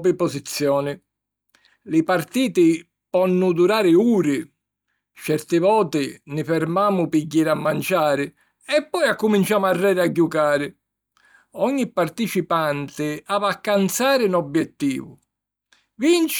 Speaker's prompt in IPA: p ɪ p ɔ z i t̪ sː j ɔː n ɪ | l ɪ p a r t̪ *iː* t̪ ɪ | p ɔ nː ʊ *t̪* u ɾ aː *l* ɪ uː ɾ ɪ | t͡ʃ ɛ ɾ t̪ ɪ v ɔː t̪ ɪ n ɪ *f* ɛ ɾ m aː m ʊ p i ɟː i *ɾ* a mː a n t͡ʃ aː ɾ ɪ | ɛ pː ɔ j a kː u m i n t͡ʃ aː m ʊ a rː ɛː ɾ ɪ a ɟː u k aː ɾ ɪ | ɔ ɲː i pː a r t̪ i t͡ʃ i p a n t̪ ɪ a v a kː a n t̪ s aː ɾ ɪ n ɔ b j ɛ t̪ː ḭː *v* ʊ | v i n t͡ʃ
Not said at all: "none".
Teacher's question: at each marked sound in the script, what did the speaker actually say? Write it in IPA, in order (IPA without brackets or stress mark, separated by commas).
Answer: iː, d̪, ɾ, f, ɾ, v